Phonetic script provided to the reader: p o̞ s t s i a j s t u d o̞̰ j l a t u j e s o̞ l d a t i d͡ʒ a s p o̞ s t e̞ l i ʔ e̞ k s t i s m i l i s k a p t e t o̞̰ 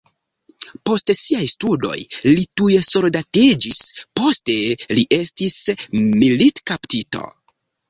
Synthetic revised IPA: p o̞ s t s i a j s t u d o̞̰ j l i t u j e s o̞ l d a t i d͡ʒ i s p o̞ s t e̞ l i ʔ e̞ s t i s m i l i t k a p t i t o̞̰